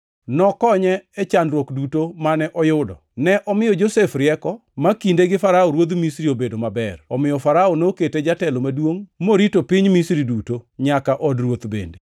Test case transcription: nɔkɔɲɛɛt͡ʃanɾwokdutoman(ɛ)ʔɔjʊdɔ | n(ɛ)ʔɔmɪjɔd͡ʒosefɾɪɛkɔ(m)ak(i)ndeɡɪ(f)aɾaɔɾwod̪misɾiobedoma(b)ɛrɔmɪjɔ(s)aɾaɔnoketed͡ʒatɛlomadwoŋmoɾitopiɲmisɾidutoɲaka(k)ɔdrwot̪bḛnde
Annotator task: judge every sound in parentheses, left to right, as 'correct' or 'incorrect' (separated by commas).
correct, correct, correct, correct, correct, correct, incorrect, incorrect